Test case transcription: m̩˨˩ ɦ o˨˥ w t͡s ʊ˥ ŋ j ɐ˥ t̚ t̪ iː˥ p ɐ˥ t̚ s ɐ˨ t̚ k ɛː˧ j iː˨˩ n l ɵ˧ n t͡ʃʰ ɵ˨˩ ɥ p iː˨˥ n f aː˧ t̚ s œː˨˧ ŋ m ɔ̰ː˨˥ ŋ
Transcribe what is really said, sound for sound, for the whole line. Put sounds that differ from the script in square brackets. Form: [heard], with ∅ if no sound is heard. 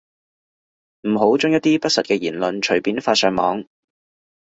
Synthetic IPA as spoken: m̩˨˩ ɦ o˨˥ w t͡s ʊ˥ ŋ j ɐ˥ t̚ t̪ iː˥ p ɐ˥ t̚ s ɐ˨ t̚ k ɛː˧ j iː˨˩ n l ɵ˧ n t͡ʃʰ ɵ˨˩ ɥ p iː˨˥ n f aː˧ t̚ s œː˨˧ ŋ m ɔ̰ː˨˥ ŋ